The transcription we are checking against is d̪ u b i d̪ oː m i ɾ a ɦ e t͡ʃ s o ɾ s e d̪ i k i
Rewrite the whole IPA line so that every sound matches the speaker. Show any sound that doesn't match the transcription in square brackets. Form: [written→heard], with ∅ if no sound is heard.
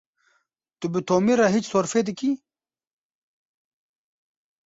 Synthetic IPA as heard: [d̪→t̪] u b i [d̪→t̪] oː m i ɾ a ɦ [e→i] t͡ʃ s o ɾ [s→f] e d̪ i k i

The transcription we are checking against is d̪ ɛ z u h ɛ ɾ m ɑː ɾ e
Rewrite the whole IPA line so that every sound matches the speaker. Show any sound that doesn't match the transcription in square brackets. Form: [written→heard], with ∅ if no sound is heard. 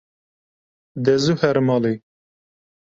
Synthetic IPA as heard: d̪ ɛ z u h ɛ ɾ m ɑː [ɾ→l] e

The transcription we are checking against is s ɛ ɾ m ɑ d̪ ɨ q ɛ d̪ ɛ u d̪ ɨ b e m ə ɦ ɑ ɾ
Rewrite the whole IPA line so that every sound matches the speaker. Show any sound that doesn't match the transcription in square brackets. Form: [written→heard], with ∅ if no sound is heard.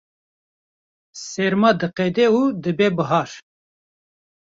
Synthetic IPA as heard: s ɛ ɾ m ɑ d̪ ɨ q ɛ d̪ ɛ u d̪ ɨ b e [m→b] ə ɦ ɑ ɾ

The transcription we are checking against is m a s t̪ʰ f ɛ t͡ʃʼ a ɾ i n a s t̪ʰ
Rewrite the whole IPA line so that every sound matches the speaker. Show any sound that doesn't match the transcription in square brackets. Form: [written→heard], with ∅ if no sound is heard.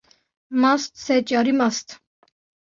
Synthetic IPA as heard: m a s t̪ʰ [f→s] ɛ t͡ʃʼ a ɾ i [n→m] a s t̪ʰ

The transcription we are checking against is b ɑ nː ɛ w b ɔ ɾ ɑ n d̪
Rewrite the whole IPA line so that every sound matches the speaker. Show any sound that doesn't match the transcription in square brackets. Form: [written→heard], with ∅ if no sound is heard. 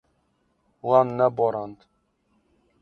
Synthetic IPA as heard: [b→w] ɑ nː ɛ [w→∅] b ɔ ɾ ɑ n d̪

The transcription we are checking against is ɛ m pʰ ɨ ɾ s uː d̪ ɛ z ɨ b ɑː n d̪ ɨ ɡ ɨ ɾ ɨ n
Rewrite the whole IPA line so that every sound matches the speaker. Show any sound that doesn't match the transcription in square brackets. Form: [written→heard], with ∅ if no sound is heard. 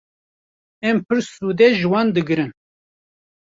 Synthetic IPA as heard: ɛ m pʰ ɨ ɾ s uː d̪ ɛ [z→ʒ] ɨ [b→w] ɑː n d̪ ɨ ɡ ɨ ɾ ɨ n

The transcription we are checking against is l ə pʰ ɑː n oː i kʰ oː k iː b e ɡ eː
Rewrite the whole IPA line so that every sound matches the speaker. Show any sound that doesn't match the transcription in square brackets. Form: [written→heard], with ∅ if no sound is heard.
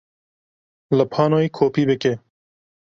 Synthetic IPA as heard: l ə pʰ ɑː n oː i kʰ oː [k→p] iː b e [ɡ→k] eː

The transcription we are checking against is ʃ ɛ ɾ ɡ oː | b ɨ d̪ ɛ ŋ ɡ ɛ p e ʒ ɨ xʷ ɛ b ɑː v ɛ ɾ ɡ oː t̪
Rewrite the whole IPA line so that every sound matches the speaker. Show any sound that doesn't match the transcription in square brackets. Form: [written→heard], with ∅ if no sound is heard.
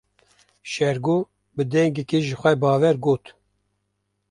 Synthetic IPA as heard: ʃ ɛ ɾ ɡ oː | b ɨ d̪ ɛ ŋ ɡ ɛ [p→k] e ʒ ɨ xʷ ɛ b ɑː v ɛ ɾ ɡ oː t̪

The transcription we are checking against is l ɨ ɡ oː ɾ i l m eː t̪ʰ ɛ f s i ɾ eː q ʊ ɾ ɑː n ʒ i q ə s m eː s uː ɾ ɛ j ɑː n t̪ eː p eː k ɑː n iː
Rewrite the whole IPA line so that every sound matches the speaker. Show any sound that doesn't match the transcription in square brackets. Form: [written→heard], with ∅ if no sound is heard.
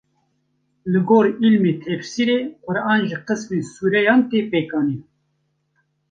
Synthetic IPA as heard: l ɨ ɡ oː ɾ i l m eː t̪ʰ ɛ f s i ɾ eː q ʊ ɾ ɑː n ʒ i q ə s m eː s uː ɾ ɛ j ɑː n t̪ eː p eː k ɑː n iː

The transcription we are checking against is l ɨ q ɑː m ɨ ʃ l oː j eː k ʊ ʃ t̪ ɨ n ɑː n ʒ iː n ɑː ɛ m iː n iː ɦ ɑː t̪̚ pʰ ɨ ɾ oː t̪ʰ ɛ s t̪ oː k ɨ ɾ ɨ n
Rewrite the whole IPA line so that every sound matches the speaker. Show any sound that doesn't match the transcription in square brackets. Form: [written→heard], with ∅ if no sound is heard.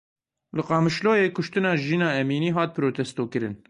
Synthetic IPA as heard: l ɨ q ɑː m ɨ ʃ l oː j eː k ʊ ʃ t̪ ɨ n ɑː [n→∅] ʒ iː n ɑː ɛ m iː n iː ɦ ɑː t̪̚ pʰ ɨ ɾ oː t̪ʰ ɛ s t̪ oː k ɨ ɾ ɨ n

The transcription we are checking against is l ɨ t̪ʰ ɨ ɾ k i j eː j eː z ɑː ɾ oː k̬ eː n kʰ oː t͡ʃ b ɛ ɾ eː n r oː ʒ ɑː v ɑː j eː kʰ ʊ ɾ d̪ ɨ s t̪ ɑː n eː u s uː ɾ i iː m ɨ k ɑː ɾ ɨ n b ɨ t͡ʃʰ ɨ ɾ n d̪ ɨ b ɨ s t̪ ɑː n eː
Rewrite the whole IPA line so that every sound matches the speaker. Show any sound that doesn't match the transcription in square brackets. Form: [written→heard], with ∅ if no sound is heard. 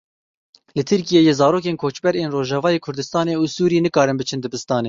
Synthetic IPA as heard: l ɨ t̪ʰ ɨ ɾ k i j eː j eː z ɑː ɾ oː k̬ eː n kʰ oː t͡ʃ b ɛ ɾ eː n r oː ʒ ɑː v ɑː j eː kʰ ʊ ɾ d̪ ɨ s t̪ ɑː n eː u s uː ɾ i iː [m→n] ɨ k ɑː ɾ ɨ n b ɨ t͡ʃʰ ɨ [ɾ→∅] n d̪ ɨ b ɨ s t̪ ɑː n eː

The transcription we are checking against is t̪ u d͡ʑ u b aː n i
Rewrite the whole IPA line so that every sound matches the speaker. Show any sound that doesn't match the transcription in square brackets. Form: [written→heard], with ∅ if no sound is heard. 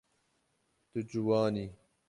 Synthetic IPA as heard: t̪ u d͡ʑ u [b→w] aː n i

